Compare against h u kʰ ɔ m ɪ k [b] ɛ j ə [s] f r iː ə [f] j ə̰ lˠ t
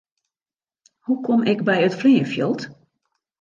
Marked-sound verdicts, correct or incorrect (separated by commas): correct, incorrect, correct